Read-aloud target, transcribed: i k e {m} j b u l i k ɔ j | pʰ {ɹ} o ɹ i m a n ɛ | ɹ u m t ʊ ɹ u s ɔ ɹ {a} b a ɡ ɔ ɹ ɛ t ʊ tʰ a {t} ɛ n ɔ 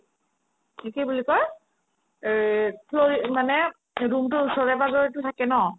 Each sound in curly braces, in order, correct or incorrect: incorrect, incorrect, incorrect, incorrect

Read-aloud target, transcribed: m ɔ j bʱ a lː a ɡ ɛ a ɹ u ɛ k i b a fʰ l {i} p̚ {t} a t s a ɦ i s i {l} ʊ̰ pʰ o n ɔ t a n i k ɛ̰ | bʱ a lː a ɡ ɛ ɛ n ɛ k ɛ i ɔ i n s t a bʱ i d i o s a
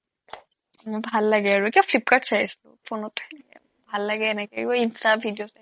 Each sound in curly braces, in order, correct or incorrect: correct, incorrect, correct

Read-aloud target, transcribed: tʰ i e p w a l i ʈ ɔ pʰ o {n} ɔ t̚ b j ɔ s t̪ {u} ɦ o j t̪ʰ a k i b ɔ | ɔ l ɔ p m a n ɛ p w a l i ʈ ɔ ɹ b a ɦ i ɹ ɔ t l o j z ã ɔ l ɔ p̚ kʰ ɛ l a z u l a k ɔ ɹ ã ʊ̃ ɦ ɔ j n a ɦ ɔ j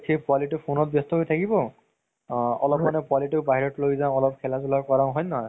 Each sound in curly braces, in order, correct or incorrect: correct, incorrect

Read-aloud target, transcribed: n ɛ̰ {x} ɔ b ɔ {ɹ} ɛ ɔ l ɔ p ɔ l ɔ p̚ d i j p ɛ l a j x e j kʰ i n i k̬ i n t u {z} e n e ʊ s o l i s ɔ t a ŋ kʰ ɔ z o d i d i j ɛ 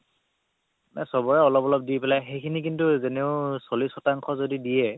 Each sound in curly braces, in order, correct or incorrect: incorrect, correct, correct

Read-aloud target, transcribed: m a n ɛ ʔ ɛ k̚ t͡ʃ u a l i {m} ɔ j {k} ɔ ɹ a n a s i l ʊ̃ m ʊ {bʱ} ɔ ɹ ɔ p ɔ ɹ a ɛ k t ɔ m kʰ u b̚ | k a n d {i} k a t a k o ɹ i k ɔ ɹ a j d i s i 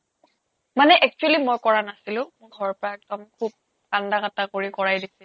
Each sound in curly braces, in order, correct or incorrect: correct, correct, incorrect, incorrect

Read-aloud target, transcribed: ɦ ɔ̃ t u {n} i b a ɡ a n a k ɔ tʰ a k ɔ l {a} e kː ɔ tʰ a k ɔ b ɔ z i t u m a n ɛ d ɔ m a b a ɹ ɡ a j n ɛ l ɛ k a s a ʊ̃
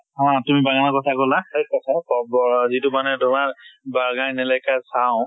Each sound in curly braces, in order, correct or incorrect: incorrect, correct

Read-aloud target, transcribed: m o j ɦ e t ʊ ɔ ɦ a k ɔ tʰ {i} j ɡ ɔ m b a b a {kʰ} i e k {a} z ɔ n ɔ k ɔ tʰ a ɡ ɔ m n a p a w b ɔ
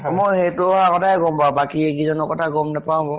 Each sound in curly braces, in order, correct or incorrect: incorrect, incorrect, incorrect

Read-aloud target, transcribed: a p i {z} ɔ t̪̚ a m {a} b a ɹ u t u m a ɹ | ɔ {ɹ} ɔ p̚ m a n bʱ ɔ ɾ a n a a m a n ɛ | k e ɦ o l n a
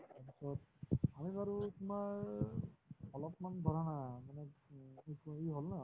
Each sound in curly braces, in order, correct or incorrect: incorrect, incorrect, incorrect

